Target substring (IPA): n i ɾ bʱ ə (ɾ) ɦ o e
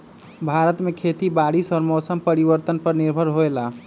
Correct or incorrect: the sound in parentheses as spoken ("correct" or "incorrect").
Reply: correct